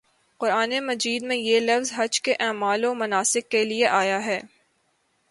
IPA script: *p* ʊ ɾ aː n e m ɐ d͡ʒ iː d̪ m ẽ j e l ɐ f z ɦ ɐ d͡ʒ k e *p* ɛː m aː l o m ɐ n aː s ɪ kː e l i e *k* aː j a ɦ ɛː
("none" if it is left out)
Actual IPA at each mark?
q, ʔ, ʔ

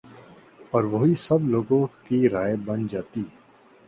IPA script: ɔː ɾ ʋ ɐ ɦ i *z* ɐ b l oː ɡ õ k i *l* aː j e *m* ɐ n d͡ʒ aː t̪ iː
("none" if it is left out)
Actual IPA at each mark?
s, ɾ, b

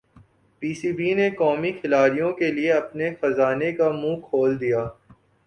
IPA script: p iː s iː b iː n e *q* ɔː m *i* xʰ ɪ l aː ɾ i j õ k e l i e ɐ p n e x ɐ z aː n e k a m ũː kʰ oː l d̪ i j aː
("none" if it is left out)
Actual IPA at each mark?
k, i

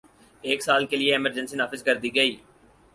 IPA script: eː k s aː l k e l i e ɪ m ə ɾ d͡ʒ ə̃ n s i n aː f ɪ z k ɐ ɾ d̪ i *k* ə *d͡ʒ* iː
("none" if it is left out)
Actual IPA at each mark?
ɡ, none

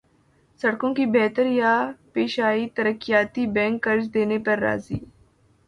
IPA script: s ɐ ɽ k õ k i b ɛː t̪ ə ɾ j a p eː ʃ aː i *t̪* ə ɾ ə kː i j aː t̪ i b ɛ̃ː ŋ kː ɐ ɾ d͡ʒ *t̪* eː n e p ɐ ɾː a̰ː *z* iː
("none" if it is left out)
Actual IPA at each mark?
t̪, d̪, z

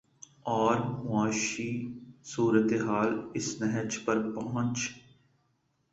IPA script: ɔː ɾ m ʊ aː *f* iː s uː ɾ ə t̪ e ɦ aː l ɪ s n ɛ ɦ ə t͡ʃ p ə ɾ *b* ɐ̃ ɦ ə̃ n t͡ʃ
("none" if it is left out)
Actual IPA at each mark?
ʃ, p

